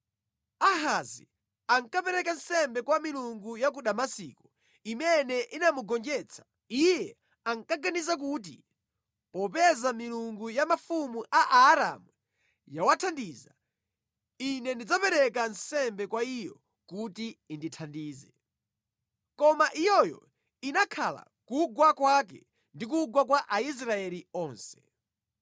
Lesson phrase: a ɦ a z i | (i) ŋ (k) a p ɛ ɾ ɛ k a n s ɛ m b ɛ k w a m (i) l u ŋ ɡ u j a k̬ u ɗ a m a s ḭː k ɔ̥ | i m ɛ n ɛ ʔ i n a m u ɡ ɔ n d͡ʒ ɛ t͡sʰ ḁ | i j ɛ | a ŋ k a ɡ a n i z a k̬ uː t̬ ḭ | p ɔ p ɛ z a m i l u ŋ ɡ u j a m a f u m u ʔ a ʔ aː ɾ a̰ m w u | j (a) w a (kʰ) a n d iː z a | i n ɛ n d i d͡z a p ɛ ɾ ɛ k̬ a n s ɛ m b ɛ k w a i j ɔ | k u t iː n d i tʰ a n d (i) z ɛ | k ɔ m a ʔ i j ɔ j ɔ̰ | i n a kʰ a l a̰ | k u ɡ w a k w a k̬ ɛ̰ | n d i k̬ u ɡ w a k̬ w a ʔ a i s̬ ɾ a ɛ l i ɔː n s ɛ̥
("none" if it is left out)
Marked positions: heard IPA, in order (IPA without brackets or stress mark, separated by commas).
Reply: a, k, i, a, tʰ, iː